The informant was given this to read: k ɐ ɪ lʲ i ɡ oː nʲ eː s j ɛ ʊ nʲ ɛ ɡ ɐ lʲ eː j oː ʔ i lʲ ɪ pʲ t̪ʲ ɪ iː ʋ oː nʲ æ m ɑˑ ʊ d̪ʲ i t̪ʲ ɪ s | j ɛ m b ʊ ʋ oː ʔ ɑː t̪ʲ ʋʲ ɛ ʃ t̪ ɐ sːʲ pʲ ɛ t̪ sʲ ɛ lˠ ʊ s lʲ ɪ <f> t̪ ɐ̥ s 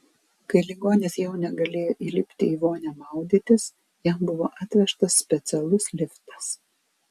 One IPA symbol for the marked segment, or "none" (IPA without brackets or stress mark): f